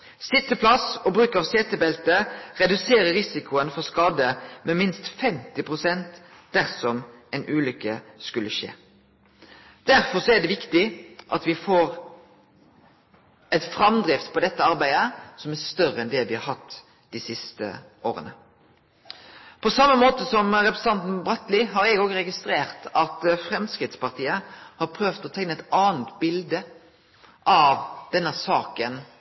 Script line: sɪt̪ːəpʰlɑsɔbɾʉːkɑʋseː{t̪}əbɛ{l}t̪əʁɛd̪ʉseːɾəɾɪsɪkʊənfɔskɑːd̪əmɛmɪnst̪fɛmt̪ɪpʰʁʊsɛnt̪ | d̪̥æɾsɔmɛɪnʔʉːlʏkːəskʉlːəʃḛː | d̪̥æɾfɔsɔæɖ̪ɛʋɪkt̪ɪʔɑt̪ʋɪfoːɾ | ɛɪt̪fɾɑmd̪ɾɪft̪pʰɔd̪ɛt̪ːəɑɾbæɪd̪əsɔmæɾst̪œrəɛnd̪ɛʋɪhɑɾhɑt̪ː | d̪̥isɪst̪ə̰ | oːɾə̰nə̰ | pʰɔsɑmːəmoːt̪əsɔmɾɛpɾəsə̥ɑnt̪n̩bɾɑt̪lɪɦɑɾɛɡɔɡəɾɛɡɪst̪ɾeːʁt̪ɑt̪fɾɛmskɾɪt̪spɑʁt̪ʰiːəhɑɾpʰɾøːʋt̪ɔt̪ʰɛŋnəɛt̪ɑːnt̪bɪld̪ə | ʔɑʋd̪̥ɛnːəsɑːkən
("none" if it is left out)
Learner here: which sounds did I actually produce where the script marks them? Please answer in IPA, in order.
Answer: t̪, l

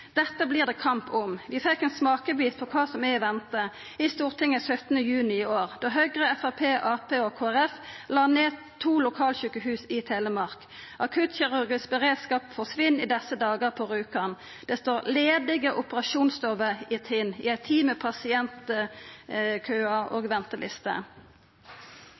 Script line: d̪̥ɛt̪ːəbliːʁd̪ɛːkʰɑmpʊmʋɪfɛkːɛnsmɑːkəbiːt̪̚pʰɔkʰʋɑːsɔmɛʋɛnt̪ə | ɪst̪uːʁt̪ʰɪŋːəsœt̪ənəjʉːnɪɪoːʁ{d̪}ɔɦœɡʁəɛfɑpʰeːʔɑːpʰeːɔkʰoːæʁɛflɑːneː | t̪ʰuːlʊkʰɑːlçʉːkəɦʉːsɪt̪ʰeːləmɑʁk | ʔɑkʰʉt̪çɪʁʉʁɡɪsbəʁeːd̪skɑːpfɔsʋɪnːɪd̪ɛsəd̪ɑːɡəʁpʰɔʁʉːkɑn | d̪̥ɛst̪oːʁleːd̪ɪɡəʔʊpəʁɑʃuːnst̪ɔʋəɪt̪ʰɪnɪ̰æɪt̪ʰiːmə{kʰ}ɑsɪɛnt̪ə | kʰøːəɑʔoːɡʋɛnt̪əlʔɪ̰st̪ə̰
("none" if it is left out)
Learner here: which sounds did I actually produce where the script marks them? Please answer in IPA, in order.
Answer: d̪, pʰ

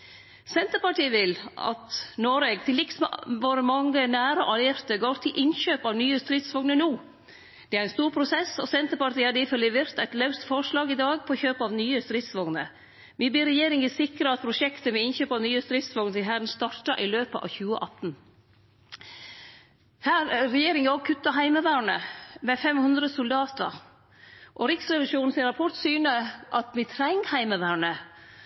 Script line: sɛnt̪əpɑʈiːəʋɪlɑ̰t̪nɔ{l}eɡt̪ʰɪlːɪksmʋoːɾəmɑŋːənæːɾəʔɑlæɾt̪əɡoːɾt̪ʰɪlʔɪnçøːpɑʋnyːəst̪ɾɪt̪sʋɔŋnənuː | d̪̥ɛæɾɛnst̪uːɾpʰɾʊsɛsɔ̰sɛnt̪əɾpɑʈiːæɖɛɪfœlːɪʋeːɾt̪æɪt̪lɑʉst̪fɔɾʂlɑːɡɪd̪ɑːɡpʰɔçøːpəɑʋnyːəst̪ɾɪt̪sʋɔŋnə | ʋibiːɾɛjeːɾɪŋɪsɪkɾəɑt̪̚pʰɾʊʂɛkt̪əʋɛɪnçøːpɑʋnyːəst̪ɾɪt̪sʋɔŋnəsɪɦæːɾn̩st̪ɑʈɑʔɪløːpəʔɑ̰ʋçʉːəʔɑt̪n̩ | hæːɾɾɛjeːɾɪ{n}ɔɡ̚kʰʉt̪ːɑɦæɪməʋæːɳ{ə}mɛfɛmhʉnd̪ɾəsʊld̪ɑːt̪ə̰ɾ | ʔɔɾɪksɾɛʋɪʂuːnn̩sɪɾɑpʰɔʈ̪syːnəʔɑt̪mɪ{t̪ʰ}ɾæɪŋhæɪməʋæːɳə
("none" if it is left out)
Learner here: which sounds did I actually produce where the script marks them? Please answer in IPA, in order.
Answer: ɾ, ŋ, ə, t̪ʰ

